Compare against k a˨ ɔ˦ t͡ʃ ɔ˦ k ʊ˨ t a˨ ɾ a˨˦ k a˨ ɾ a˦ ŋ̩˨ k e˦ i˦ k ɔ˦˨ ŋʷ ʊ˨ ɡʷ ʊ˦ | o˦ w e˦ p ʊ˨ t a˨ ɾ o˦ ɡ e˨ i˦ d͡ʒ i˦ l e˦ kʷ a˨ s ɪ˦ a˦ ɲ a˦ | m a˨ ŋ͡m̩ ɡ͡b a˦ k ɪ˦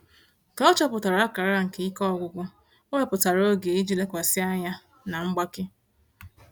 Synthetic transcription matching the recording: k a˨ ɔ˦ t͡ʃ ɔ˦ p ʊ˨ t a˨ ɾ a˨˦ k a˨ ɾ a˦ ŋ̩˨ k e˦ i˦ k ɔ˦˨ ɡʷ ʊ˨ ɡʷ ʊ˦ | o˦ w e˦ p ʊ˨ t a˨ ɾ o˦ ɡ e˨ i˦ d͡ʒ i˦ l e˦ kʷ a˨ s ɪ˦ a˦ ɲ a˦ | n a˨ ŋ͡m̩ ɡ͡b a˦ k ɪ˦